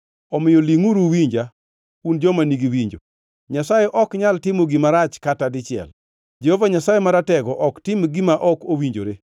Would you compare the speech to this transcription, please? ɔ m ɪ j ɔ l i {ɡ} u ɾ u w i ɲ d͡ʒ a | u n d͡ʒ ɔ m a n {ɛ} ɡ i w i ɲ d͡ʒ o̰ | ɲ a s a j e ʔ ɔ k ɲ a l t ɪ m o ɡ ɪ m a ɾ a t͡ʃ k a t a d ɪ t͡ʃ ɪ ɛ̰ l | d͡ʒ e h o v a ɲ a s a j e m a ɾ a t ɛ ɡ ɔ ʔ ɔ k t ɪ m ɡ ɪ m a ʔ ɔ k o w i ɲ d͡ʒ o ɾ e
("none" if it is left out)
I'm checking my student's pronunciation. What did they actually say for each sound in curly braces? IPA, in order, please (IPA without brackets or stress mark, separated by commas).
ŋ, i